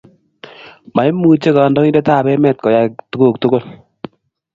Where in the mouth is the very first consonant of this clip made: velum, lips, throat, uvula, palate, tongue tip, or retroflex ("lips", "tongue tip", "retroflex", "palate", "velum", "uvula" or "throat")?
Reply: lips